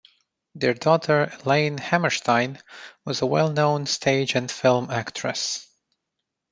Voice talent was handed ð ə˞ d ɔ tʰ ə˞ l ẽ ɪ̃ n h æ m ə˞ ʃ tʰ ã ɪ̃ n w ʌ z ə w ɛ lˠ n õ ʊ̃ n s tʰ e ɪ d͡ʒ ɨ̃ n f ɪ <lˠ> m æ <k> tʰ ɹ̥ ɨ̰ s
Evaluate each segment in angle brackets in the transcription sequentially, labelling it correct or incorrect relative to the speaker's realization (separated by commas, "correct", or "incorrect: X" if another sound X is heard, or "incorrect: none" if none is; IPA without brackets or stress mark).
correct, correct